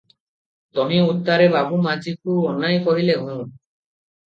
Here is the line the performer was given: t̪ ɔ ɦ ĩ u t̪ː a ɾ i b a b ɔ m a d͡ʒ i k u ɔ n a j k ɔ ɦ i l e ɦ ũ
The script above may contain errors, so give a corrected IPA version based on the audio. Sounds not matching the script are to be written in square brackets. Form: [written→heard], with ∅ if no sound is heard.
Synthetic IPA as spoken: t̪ ɔ ɦ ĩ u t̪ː a ɾ [i→e] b a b [ɔ→u] m a d͡ʒ i k u ɔ n a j k ɔ ɦ i l e ɦ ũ